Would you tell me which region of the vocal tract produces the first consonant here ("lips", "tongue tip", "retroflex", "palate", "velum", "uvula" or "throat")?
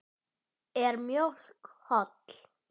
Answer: tongue tip